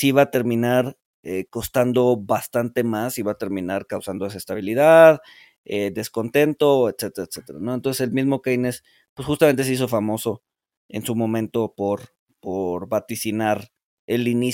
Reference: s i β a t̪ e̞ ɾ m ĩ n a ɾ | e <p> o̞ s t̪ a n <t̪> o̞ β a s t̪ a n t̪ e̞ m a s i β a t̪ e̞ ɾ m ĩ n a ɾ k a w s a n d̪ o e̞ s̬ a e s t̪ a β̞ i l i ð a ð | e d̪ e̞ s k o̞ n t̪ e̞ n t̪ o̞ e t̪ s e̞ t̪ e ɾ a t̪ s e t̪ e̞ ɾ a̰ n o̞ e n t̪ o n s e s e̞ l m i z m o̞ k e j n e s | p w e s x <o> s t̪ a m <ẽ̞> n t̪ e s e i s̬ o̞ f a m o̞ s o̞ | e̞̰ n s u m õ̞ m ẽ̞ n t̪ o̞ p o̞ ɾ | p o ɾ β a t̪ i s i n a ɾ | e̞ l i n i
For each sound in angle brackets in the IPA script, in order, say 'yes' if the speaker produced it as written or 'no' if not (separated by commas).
no, no, no, no